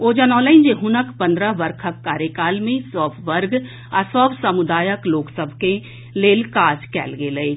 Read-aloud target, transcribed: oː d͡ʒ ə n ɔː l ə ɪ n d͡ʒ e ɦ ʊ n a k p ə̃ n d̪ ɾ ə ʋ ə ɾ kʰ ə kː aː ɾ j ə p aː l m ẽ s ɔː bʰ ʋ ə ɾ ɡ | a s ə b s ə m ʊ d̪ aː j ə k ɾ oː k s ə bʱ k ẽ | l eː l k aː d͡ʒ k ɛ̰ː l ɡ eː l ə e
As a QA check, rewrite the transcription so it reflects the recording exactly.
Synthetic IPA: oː d͡ʒ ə n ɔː l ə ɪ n d͡ʒ e ɦ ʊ n ə k p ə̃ n d̪ ɾ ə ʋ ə ɾ kʰ ə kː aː ɾ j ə k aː l m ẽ s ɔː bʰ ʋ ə ɾ ɡ | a s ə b s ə m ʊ d̪ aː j ə k l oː k s ə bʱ k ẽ | l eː l k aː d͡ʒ k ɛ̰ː l ɡ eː l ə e